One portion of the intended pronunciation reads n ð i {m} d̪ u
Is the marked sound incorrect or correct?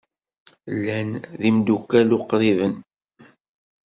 correct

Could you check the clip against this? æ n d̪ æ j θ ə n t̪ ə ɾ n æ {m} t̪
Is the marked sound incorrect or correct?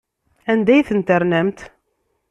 correct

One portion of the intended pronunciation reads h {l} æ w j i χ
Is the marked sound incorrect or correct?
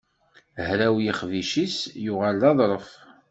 incorrect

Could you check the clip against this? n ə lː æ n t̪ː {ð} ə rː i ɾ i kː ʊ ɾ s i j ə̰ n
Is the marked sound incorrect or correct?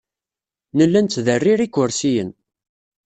correct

